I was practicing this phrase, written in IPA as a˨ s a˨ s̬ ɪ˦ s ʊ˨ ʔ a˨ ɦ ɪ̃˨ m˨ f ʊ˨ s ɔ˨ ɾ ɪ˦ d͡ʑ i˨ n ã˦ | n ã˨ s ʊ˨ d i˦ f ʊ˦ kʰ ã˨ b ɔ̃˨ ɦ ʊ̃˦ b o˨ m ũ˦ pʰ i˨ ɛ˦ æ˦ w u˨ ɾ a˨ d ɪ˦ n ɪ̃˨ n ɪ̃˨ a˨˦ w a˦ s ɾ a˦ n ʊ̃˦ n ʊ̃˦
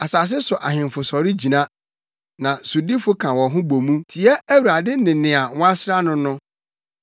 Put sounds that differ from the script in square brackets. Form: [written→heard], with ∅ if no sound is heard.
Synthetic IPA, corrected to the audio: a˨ s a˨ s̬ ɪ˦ s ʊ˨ ʔ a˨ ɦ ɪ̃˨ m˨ f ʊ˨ s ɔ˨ ɾ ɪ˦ d͡ʑ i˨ n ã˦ | n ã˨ s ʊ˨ d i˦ f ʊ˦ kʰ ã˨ [b→w] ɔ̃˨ ɦ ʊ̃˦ b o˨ m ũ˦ [pʰ→tʰ] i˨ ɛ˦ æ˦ w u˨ ɾ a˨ d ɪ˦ n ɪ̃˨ n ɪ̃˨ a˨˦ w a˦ s ɾ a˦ n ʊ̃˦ n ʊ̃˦